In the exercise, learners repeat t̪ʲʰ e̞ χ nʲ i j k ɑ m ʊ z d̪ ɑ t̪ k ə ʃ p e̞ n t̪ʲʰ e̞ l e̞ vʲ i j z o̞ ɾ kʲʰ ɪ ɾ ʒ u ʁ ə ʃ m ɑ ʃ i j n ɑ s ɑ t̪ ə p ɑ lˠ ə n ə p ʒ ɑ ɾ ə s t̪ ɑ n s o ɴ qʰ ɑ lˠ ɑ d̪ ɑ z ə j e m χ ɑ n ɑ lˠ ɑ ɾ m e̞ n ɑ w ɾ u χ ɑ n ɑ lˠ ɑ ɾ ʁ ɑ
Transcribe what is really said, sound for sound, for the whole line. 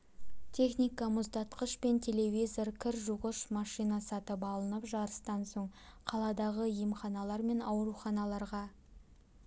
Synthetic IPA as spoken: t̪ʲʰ e̞ χ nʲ i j k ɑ m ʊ z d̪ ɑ t̪ q ə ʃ p e̞ n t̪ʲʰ e̞ l e̞ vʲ i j z o̞ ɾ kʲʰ ɪ ɾ ʒ u ʁ ə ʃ m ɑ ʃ i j n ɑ s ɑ t̪ ə p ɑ lˠ ə n ə p ʒ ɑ ɾ ə s t̪ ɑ n s o ɴ qʰ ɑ lˠ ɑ d̪ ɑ ʁ ə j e m χ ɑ n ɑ lˠ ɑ ɾ m e̞ n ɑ w ɾ u χ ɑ n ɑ lˠ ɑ ɾ ʁ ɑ